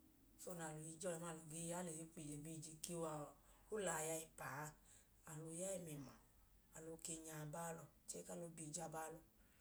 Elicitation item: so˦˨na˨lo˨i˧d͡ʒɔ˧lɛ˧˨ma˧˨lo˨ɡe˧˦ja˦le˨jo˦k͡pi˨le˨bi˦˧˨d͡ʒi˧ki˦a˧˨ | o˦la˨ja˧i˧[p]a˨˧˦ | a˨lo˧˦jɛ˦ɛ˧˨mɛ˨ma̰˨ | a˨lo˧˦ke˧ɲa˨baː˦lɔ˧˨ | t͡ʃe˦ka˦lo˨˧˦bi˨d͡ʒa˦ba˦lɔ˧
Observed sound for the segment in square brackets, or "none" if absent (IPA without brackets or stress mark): p